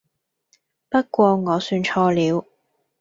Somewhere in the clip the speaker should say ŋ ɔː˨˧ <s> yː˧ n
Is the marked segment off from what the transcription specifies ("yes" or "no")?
no